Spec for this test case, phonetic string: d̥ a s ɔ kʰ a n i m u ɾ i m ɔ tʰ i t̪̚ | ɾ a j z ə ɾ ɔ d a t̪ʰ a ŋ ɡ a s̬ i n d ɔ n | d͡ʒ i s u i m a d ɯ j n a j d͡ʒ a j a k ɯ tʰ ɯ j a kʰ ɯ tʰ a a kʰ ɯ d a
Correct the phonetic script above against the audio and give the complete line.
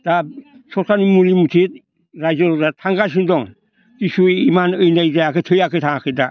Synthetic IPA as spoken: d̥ a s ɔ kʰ a n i m u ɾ i m u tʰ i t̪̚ | ɾ a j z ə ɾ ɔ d a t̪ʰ a ŋ ɡ a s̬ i n d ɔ ŋ | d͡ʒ i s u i m a n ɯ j n a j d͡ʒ a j a k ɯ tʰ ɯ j a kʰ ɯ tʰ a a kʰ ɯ d a